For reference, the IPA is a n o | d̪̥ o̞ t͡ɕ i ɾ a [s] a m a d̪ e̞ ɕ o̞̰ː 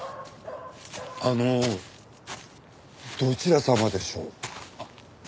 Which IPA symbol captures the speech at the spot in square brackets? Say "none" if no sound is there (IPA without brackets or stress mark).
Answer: s